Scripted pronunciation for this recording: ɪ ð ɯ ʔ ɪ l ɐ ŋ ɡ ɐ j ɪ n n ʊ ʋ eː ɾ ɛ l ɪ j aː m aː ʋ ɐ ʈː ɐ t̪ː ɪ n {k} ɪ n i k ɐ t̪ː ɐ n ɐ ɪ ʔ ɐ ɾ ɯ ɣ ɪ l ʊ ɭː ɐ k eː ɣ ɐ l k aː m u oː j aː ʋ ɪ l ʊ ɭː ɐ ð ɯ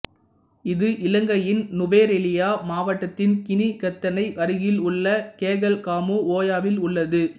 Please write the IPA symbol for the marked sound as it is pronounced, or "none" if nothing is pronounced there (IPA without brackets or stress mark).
k